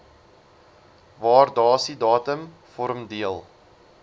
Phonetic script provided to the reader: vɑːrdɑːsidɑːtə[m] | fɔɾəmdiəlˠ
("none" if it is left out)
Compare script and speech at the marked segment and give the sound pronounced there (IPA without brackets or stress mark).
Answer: m